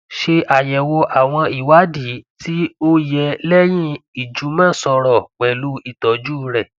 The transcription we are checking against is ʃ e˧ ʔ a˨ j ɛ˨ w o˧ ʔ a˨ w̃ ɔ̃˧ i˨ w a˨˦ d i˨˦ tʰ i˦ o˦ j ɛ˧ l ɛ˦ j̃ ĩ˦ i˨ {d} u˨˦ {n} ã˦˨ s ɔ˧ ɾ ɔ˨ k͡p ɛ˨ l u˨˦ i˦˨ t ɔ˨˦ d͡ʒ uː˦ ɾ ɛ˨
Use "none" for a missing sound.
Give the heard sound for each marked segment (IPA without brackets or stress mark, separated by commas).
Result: d͡ʒ, m